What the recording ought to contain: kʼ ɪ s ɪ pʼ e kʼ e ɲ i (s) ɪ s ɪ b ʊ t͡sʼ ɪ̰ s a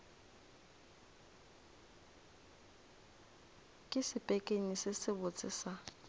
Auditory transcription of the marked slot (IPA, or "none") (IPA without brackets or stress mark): s